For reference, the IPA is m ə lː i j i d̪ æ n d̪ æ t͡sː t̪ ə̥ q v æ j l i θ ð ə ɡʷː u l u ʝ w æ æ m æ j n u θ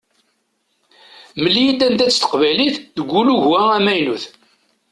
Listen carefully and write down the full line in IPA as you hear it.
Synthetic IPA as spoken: m ə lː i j i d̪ æ n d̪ æ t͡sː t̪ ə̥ q v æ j l i θ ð ə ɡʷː u l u ʝ w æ æ m æ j n u θ